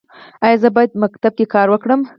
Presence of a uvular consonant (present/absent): absent